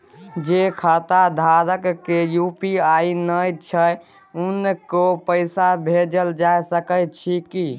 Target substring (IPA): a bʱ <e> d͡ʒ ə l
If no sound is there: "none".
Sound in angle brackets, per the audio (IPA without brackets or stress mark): e